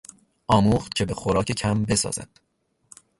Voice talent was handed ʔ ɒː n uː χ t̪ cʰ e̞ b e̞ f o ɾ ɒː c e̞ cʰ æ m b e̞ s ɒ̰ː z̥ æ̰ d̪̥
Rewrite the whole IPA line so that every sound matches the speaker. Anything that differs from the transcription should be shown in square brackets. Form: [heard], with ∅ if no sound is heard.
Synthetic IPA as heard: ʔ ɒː [m] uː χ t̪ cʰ e̞ b e̞ [x] o ɾ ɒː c e̞ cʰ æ m b e̞ s ɒ̰ː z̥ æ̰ d̪̥